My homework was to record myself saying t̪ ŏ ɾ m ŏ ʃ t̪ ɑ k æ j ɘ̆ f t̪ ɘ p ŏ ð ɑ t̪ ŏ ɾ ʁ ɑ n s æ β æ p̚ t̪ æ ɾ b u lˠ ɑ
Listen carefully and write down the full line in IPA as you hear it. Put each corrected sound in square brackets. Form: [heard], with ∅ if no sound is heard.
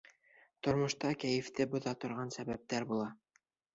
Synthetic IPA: t̪ ŏ ɾ m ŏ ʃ t̪ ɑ k æ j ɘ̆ f t̪ ɘ [b] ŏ ð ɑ t̪ ŏ ɾ ʁ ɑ n s æ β æ p̚ t̪ æ ɾ b u lˠ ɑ